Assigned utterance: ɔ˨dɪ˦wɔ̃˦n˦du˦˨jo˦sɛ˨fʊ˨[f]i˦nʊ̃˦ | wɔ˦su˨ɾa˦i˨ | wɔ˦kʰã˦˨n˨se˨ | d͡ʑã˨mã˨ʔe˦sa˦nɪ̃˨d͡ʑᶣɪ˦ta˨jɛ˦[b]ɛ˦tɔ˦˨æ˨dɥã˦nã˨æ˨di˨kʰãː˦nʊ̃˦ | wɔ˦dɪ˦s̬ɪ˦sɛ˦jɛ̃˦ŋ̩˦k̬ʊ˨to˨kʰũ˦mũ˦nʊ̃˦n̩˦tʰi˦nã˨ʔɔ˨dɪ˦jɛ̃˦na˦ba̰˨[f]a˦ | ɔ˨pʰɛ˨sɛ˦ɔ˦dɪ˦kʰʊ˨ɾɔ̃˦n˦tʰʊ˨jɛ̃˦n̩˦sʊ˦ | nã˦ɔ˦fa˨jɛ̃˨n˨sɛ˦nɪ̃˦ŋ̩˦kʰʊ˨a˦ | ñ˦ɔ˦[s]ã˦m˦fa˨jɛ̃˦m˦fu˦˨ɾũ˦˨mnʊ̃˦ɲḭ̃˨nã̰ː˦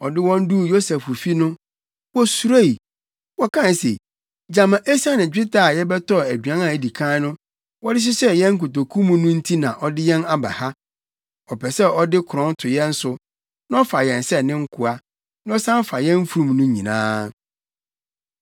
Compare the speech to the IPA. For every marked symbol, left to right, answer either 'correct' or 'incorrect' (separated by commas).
correct, correct, incorrect, correct